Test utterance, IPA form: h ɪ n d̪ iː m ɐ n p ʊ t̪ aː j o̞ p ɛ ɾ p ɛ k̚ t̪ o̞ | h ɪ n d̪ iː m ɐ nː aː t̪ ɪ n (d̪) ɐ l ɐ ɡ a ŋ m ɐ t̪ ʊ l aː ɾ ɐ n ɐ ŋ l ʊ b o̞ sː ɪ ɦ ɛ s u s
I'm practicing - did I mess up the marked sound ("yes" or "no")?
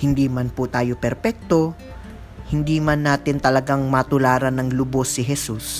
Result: yes